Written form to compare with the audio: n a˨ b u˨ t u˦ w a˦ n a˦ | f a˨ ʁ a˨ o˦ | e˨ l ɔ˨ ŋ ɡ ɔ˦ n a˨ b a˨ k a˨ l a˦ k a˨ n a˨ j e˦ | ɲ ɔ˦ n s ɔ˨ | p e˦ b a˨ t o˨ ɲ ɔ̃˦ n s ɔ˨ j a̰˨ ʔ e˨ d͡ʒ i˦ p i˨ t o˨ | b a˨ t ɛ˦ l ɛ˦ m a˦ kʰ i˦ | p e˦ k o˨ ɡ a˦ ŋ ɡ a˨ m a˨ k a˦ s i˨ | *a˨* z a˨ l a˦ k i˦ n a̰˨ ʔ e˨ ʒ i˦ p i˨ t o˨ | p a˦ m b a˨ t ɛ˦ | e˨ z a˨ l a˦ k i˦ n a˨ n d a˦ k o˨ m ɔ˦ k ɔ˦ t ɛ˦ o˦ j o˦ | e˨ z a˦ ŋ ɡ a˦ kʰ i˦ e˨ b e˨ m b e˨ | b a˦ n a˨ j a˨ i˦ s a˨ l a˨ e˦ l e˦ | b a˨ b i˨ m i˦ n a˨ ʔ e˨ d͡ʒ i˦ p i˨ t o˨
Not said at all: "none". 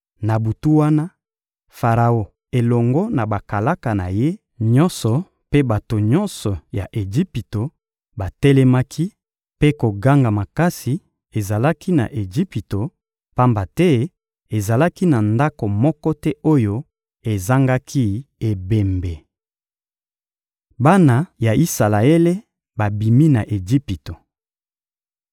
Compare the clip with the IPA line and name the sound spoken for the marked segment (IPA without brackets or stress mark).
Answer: e˨